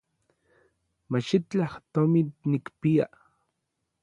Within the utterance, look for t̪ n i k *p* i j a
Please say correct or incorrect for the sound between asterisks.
correct